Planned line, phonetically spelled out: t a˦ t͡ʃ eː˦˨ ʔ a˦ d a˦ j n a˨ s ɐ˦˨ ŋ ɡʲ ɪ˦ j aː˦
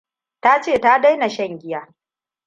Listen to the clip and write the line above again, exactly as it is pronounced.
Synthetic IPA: t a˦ t͡ʃ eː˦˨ t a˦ d a˦ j n a˨ ʃ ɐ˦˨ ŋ ɡʲ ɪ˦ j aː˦